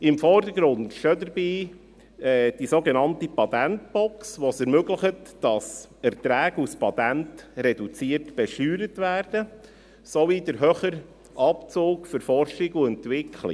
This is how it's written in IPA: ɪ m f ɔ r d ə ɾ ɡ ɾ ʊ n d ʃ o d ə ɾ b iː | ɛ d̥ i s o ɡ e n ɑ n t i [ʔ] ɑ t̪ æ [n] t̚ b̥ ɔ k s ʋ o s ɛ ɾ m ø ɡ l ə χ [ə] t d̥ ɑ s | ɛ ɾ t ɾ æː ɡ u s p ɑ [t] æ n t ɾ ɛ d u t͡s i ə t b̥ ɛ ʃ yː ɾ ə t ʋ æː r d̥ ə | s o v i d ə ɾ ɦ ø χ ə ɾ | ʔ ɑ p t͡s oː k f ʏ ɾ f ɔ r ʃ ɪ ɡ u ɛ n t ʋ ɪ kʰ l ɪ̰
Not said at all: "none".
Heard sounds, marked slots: p, n, ə, t

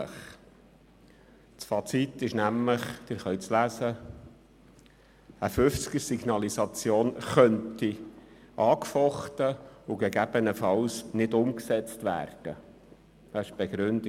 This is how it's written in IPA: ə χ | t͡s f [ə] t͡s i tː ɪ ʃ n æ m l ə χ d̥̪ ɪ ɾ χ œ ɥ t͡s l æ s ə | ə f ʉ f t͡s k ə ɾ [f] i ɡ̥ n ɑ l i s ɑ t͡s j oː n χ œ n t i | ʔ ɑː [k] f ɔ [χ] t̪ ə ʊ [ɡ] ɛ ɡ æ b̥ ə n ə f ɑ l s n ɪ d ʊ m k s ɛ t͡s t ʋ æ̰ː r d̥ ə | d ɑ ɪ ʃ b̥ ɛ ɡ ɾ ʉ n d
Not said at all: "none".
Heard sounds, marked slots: ɑ, s, k, χ, ɡ

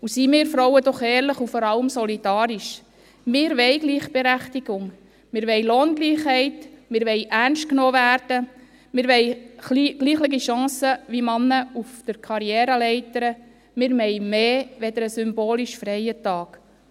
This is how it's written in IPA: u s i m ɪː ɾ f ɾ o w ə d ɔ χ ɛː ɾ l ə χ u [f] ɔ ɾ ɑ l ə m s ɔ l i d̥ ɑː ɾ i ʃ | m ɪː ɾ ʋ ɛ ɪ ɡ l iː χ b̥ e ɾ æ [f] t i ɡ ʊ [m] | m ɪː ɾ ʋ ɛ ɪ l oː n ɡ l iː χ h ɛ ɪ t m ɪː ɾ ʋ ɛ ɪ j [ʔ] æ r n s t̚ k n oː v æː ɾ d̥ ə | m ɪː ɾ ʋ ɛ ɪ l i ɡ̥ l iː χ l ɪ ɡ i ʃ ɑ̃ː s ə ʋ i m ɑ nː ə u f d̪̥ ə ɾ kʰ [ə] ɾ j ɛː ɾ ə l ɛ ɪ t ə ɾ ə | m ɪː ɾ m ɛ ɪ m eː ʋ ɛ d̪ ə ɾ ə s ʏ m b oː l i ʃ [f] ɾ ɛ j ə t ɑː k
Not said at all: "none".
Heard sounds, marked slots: f, χ, ŋ, ʔ, ɑ, f

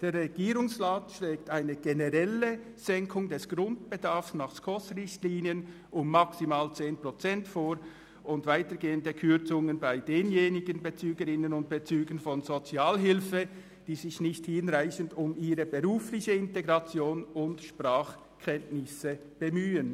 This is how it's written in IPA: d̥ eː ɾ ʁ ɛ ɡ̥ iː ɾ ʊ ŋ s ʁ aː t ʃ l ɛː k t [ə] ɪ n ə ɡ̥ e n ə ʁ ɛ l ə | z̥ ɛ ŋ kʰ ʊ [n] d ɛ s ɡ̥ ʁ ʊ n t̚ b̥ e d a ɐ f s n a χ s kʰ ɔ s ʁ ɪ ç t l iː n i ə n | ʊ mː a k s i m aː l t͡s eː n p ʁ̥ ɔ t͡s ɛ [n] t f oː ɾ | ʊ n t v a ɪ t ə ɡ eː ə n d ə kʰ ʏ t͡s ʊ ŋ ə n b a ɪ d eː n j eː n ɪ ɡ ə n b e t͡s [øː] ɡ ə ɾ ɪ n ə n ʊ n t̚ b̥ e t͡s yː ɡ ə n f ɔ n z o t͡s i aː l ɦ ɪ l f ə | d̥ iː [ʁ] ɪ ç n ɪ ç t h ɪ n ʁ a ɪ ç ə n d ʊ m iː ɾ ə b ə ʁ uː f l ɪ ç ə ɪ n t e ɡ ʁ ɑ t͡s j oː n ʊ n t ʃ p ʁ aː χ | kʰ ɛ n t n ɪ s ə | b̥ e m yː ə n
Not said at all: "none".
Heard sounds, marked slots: a, ŋ, n, yː, z

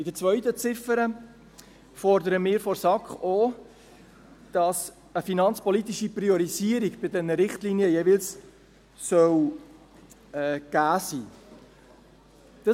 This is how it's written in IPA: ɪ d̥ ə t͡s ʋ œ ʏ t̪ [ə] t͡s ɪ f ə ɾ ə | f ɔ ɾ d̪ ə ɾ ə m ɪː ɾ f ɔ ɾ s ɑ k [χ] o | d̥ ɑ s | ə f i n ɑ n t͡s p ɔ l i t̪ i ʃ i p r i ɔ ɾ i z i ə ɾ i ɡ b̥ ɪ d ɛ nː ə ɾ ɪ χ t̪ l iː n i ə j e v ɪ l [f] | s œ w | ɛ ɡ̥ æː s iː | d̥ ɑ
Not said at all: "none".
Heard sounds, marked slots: ə, χ, s

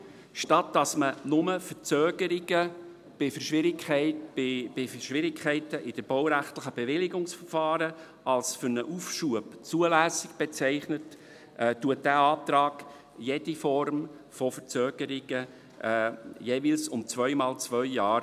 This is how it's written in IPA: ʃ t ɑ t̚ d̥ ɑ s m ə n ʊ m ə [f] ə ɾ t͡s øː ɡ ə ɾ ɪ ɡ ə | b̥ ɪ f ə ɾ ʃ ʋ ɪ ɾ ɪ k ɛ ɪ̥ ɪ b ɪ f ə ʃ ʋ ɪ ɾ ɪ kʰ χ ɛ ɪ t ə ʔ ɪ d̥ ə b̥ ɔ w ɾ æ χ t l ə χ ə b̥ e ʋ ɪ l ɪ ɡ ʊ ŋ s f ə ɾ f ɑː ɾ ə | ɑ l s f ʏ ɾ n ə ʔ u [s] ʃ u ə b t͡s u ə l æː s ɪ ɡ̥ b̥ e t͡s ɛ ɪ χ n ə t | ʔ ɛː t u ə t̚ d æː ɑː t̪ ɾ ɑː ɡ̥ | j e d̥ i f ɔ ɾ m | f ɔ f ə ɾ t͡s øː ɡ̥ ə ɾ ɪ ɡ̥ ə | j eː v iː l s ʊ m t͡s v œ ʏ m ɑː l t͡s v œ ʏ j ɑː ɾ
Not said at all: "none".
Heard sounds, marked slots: f, f

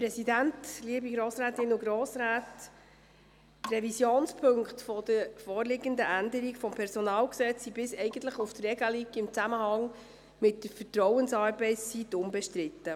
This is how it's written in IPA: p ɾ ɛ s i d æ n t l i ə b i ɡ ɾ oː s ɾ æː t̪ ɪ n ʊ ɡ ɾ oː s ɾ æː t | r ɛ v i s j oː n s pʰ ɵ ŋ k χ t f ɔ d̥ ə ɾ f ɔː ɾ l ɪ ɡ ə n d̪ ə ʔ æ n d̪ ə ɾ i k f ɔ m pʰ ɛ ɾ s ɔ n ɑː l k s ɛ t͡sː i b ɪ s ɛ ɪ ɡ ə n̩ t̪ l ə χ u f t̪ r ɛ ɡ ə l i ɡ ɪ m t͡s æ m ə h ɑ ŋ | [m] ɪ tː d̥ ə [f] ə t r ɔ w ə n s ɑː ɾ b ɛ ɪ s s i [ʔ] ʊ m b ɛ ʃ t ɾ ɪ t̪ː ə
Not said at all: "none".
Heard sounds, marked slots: m, f, t

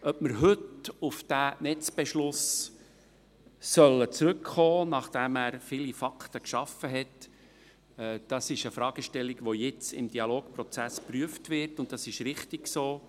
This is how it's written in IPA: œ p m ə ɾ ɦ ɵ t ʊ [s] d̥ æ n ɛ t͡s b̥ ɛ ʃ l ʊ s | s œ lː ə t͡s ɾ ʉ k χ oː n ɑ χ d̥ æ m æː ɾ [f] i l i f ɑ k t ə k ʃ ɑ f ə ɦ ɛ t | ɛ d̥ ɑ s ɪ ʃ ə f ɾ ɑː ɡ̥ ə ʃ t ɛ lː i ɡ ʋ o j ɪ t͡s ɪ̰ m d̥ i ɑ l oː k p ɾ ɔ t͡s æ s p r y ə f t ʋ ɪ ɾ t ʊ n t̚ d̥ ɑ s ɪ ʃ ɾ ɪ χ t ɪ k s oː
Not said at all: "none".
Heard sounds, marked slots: f, f

